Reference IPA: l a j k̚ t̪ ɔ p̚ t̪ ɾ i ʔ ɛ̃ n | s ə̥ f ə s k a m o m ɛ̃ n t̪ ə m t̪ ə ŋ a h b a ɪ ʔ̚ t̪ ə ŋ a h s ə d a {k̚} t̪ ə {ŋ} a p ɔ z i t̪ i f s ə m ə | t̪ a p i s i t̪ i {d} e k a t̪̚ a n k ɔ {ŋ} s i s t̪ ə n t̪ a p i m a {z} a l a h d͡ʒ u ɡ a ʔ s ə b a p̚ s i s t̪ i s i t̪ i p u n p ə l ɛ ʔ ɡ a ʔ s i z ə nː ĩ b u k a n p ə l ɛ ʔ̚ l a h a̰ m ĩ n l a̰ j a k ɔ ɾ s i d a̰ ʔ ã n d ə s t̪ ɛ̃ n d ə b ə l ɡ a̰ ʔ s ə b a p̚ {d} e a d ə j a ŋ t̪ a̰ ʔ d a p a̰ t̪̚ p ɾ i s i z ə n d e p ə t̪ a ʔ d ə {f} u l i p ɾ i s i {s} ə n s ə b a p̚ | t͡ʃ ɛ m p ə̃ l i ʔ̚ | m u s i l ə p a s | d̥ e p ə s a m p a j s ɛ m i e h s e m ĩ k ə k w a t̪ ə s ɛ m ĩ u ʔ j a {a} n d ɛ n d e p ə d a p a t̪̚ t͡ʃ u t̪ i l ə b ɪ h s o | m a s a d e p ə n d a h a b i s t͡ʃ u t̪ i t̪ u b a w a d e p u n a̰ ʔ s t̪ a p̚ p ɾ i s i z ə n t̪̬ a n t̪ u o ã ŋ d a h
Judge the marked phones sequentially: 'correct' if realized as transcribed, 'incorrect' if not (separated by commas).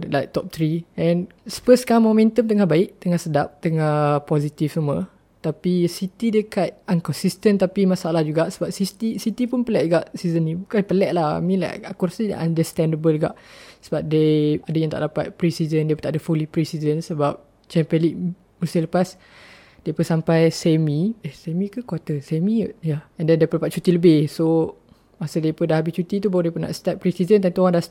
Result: incorrect, correct, correct, incorrect, incorrect, correct, correct, incorrect, incorrect